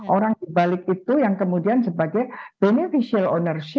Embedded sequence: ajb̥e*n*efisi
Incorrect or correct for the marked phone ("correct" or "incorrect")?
correct